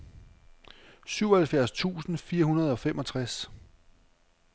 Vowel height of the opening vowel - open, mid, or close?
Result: close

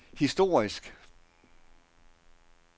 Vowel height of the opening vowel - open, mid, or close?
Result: close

